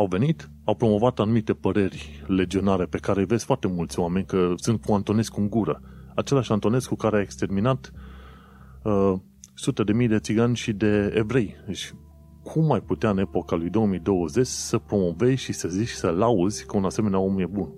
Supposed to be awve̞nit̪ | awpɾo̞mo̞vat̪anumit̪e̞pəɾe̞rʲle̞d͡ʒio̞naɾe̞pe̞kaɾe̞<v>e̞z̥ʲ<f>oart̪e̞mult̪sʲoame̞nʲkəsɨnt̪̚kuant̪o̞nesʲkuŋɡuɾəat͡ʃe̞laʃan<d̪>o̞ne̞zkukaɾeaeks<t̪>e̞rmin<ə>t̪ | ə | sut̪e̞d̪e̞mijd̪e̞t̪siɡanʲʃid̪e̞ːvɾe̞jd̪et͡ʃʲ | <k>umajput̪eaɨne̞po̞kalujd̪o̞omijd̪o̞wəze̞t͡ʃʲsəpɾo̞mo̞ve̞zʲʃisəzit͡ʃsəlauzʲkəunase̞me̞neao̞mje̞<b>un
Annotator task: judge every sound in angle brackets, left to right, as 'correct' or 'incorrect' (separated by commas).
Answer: correct, correct, incorrect, correct, incorrect, incorrect, correct